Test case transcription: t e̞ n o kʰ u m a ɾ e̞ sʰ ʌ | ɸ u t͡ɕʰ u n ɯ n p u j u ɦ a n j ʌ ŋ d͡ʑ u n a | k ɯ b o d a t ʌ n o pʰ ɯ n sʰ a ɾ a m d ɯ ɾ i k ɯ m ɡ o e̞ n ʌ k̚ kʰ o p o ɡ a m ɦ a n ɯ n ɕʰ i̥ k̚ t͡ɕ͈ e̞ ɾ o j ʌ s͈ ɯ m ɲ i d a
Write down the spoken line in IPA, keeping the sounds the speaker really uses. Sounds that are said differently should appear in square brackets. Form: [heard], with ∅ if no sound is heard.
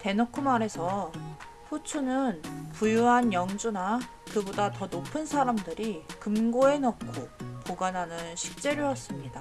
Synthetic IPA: t e̞ n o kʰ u m a ɾ e̞ sʰ ʌ | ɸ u t͡ɕʰ u n ɯ n p u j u ɦ a n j ʌ ŋ d͡ʑ u n a | k ɯ b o d a t ʌ n o pʰ ɯ n sʰ a ɾ a m d ɯ ɾ i k ɯ m ɡ o e̞ n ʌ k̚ kʰ o p o ɡ a [n] ɦ a n ɯ n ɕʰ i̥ k̚ t͡ɕ͈ e̞ ɾ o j ʌ s͈ ɯ m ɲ i d a